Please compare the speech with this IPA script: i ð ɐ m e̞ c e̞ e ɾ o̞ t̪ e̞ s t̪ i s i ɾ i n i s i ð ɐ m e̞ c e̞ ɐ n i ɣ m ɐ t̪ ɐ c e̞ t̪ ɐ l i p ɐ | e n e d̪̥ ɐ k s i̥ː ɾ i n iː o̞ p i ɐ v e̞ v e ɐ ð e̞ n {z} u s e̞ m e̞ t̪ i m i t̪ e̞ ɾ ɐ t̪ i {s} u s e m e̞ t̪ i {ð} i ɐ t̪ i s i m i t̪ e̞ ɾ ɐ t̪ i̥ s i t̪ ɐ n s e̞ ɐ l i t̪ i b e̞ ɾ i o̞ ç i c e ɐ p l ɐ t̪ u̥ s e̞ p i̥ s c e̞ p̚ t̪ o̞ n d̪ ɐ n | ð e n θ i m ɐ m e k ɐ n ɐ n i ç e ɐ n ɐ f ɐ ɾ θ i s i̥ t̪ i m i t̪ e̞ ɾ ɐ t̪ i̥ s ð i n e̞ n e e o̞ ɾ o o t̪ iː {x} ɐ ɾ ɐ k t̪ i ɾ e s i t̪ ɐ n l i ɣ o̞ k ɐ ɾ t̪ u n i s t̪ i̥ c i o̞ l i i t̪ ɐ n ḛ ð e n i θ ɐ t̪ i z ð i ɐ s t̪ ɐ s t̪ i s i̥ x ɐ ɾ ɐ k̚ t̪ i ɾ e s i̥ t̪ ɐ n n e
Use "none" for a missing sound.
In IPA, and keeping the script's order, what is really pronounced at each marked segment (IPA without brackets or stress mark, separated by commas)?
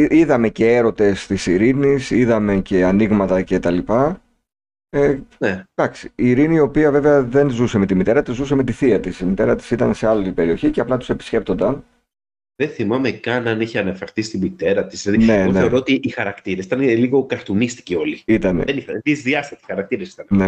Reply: z, z, θ, x